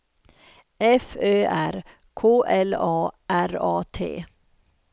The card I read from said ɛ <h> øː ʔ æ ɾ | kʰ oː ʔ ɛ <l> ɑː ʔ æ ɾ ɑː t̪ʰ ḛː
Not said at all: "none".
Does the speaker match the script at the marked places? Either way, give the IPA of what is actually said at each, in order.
f, l

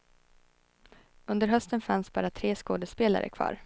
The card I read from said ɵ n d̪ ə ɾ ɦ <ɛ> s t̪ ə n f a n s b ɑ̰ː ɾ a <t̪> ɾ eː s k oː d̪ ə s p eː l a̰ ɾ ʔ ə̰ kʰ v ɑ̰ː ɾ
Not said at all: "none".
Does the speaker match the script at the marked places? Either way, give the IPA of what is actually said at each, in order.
œ, t̪ʰ

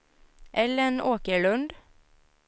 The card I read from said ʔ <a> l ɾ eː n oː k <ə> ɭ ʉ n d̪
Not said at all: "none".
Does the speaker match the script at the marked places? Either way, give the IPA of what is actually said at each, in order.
ɛ, ə

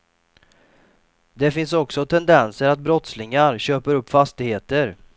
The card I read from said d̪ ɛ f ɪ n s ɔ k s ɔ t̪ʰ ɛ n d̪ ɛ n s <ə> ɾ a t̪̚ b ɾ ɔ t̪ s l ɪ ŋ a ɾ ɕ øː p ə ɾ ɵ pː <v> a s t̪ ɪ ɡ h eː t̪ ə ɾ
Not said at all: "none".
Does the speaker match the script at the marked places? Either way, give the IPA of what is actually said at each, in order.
ə, f

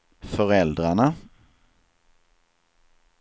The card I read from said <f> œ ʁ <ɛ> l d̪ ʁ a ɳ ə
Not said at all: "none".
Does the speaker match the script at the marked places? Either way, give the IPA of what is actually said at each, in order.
f, ɛ

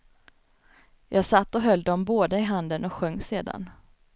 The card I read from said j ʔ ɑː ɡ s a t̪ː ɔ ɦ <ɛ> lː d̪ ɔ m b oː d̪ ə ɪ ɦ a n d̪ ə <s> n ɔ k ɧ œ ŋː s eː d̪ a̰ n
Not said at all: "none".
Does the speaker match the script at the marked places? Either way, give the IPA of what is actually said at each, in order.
œ, none

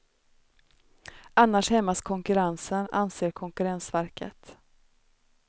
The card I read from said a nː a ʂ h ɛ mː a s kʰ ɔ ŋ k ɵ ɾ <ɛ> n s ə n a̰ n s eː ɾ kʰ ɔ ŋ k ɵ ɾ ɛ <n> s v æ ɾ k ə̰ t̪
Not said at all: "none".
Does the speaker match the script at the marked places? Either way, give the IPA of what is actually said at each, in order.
a, n

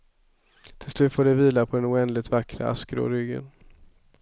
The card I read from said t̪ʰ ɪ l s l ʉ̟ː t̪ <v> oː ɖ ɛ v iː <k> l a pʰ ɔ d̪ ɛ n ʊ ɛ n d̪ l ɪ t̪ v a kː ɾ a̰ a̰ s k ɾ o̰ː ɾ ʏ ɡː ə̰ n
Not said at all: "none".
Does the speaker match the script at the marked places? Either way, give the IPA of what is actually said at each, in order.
f, none

